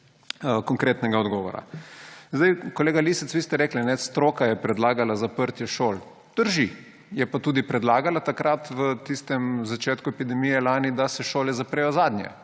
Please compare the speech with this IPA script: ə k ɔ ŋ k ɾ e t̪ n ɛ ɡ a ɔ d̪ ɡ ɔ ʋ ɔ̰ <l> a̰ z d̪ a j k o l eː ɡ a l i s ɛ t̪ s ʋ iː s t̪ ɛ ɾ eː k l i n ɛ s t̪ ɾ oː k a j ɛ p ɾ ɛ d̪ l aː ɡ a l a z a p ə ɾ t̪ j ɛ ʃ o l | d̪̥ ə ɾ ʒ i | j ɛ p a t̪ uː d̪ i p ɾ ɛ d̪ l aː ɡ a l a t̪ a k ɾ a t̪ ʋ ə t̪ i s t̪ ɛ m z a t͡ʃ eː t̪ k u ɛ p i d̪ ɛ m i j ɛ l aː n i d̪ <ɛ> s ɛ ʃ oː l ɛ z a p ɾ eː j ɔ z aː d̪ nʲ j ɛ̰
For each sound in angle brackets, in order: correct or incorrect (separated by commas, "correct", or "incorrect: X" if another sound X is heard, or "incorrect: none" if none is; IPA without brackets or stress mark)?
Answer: incorrect: ɾ, incorrect: a